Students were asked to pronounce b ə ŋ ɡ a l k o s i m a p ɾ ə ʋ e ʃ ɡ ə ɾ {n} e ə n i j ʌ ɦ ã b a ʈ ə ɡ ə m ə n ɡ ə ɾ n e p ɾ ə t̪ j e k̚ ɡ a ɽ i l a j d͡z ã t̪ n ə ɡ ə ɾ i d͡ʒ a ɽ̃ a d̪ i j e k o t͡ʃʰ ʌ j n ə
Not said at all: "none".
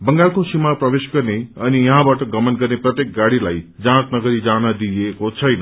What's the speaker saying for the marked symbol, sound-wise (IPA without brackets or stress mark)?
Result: n